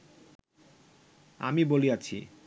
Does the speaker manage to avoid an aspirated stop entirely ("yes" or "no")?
no